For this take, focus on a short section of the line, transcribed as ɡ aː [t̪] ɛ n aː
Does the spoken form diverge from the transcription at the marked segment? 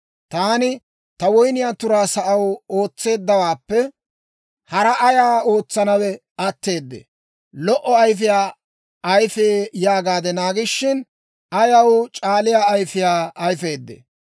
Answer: yes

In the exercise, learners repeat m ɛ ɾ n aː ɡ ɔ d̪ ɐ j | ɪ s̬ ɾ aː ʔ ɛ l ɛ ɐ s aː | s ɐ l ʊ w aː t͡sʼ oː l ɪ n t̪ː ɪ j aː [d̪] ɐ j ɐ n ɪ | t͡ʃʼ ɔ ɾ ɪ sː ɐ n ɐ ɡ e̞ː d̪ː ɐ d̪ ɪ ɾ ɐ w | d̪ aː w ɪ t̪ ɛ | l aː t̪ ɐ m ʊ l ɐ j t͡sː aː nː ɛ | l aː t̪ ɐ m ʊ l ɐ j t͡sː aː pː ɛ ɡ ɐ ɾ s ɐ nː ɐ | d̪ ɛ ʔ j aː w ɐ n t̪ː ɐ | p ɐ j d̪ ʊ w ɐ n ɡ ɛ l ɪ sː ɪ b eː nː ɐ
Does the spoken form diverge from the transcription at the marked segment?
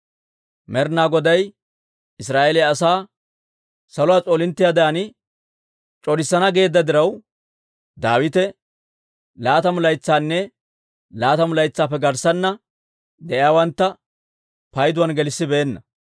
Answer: no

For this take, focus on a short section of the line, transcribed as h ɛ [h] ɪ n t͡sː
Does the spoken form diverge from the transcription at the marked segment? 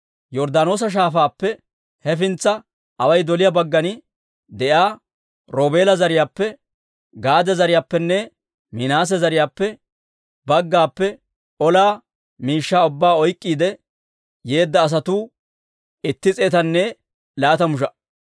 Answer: yes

